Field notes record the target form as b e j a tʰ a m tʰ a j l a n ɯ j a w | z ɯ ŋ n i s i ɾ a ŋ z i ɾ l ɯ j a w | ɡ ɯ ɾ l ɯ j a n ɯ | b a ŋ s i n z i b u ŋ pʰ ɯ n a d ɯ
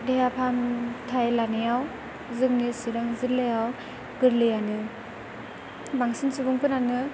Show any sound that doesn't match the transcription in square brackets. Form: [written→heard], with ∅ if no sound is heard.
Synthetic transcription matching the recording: [b→d] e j a [tʰ→pʰ] a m tʰ a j l a n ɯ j a w | z ɯ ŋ n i s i ɾ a ŋ z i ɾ l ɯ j a w | ɡ ɯ ɾ l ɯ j a n ɯ | b a ŋ s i n [z→s] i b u ŋ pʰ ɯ n a [d→n] ɯ